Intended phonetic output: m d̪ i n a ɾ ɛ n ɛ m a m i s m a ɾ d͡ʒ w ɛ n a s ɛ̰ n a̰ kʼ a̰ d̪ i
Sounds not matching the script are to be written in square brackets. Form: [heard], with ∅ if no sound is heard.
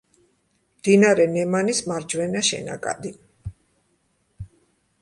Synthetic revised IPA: m d̪ i n a ɾ ɛ n ɛ m a [n] i s m a ɾ d͡ʒ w ɛ n a [ʃ] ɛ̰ n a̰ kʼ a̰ d̪ i